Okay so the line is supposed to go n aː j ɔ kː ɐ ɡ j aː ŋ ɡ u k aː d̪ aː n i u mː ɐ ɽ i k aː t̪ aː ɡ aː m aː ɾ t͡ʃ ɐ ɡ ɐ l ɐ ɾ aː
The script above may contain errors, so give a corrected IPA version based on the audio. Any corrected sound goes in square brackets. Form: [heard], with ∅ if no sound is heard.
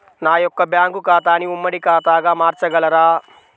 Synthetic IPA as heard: n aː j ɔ kː ɐ [b] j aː ŋ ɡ u k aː [t̪] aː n i u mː ɐ ɽ i k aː t̪ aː ɡ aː m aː ɾ t͡ʃ ɐ ɡ ɐ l ɐ ɾ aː